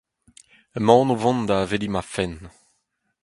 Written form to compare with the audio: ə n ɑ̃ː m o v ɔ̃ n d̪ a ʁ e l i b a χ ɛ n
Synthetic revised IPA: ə m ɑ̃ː n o v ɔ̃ n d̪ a v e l i m a f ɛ n